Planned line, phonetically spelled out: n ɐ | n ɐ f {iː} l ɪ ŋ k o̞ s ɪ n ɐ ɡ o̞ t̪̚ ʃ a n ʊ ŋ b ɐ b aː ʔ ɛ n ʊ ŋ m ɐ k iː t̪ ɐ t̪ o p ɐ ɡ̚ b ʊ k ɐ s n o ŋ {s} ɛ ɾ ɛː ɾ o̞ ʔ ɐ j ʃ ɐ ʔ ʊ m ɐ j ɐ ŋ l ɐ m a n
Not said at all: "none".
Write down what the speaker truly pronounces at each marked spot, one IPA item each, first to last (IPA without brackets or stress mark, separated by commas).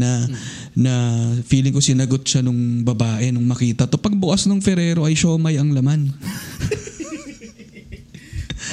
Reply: iː, f